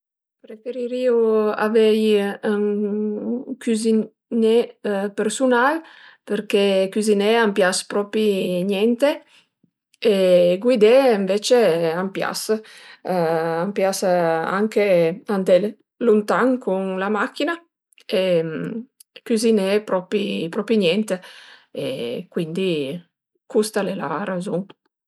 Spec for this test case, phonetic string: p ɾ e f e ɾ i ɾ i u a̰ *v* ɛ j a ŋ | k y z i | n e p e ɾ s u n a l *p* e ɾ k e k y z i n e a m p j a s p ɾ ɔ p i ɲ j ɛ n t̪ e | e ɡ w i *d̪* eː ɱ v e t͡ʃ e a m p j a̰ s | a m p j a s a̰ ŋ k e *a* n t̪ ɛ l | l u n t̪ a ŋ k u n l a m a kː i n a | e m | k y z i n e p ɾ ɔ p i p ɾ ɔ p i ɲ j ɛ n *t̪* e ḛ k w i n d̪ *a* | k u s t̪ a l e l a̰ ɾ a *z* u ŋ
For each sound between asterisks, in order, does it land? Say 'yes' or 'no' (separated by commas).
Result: yes, yes, yes, yes, yes, no, yes